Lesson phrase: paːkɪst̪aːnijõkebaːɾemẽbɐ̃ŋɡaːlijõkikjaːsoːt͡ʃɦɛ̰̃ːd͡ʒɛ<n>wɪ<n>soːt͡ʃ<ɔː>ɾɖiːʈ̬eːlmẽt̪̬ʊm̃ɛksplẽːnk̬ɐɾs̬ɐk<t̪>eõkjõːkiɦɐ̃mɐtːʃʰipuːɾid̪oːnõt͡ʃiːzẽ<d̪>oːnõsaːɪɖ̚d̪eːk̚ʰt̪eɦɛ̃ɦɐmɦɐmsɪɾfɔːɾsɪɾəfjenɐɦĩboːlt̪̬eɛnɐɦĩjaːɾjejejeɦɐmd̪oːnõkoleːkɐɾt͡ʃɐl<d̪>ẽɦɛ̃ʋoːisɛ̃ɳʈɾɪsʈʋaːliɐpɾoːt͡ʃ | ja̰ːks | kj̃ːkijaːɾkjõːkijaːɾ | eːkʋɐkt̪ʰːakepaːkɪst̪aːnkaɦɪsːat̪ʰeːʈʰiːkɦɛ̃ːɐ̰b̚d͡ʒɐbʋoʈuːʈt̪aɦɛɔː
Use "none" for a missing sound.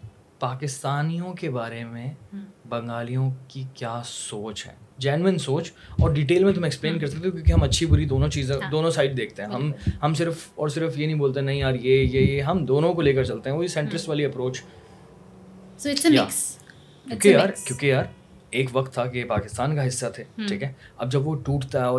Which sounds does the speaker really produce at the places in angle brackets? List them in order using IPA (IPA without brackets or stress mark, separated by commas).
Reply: n, n, ɔː, t̪, d̪, t̪